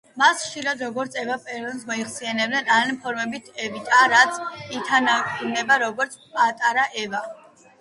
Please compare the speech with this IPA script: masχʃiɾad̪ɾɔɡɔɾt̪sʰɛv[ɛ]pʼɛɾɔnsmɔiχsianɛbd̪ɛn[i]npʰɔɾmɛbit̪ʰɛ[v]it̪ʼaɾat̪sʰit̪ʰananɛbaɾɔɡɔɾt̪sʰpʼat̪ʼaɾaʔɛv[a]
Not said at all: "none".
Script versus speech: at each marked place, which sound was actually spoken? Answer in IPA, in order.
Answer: a, a, v, a

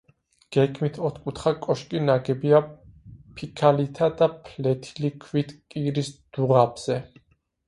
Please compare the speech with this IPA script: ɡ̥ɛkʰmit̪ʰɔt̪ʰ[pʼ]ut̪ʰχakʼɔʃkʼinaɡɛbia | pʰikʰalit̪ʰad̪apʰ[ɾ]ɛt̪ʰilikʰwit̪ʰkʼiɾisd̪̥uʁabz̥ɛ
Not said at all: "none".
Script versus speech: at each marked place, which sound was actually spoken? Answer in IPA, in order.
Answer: kʼ, l

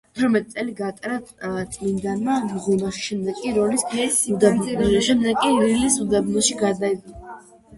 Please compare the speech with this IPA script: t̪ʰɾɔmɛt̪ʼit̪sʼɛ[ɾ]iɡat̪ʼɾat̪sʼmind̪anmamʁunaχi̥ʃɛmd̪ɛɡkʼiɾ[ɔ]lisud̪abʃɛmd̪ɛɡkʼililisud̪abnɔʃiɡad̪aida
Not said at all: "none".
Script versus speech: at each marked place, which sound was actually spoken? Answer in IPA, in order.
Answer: l, ɔ

